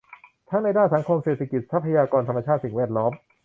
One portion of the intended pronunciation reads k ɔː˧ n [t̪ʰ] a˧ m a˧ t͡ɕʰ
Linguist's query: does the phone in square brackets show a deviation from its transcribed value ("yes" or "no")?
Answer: no